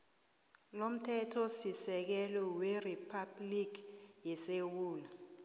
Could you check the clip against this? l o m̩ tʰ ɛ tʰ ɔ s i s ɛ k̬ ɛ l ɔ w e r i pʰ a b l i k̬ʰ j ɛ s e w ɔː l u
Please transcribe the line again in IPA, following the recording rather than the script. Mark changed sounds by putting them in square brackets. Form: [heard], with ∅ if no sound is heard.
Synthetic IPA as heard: l o m̩ tʰ ɛ tʰ ɔ s i s ɛ k̬ ɛ l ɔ w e r i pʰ a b l i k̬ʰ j ɛ s e w [uː] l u